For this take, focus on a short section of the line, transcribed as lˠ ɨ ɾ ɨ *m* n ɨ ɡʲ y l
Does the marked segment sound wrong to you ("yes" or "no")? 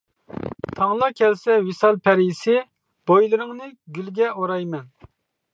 yes